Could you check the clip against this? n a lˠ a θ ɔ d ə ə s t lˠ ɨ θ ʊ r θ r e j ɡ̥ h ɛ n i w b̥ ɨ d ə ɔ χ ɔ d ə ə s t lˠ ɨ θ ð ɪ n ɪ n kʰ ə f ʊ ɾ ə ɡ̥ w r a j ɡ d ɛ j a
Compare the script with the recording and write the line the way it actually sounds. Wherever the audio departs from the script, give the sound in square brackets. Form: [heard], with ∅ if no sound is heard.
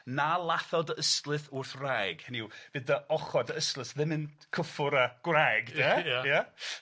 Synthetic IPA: n a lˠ a θ ɔ d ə ə s t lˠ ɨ θ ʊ r θ r [a] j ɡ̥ h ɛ n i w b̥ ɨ d ə ɔ χ ɔ d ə ə s t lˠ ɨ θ ð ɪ [m] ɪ n kʰ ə f ʊ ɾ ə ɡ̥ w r a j ɡ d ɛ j a